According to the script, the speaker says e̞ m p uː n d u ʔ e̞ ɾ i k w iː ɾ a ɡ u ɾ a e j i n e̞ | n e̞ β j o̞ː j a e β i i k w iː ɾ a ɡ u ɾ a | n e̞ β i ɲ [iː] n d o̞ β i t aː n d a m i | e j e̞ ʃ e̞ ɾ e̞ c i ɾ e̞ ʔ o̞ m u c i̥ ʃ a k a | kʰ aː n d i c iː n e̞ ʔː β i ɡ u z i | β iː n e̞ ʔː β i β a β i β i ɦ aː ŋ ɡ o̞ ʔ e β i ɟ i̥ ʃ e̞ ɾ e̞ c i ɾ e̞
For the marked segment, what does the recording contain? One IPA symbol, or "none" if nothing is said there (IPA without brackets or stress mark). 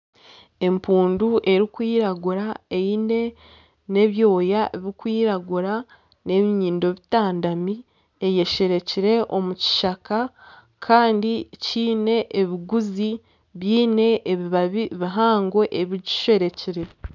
iː